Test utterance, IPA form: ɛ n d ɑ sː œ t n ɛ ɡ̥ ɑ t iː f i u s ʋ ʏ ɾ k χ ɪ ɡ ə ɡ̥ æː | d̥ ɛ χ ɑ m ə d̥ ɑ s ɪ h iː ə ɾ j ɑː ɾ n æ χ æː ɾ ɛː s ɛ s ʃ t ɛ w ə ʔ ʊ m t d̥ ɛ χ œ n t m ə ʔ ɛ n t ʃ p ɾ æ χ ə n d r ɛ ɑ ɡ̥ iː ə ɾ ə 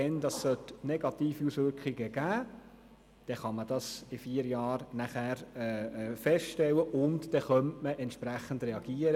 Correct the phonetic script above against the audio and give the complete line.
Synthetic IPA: ɛ n d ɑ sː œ t n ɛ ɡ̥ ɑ t iː f i u s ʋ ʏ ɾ k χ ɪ ɡ ə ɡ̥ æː | d̥ ɛ χ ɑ m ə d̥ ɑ s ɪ f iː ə ɾ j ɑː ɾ n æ χ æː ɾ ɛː f ɛ s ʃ t ɛ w ə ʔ ʊ n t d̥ ɛ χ œ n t m ə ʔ ɛ n t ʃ p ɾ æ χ ə n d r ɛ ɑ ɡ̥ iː ə ɾ ə